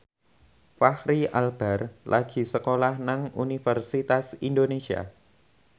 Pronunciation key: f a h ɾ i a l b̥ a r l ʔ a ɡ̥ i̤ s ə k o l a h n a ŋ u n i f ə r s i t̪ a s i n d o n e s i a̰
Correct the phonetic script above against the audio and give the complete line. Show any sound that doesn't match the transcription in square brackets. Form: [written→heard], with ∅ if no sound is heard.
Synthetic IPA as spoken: f a h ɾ i a l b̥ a r l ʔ a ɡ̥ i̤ s ə k o l a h n a ŋ u n i f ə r s i t̪ a s i n d o n e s i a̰